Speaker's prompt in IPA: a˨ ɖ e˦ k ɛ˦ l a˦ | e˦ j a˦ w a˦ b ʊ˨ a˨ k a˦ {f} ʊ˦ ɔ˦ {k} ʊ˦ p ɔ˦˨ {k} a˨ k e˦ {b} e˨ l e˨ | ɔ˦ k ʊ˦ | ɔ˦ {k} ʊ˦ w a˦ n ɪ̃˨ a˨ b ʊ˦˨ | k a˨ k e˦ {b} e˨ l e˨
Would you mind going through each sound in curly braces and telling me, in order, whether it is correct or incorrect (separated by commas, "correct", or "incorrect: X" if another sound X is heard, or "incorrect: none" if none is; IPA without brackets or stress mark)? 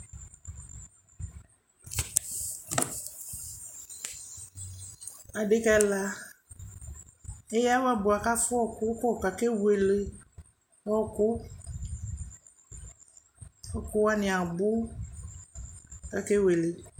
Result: correct, correct, correct, incorrect: w, correct, incorrect: w